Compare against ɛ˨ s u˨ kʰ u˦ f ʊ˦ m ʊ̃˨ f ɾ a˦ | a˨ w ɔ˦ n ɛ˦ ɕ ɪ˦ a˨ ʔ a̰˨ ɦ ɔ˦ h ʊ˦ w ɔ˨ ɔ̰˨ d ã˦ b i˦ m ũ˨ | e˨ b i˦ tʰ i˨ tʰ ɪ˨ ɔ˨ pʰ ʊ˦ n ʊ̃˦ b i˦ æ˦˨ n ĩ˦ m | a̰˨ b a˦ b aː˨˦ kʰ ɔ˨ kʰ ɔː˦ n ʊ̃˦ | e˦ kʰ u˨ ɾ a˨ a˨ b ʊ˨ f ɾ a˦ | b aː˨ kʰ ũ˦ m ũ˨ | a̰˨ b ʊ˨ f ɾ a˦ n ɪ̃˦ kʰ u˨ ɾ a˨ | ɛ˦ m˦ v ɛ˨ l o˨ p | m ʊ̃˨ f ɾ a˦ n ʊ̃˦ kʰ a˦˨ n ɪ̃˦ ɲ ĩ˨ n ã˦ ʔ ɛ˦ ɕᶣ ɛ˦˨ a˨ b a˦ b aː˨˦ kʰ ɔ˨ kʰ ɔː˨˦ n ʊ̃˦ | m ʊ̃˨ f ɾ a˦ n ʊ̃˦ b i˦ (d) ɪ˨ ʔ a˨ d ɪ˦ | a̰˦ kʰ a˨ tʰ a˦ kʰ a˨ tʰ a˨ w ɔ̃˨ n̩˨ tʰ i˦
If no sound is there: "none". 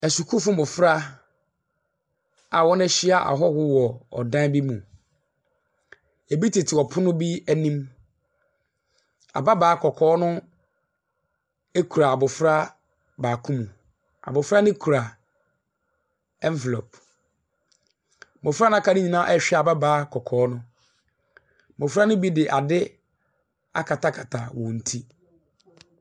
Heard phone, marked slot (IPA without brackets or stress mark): d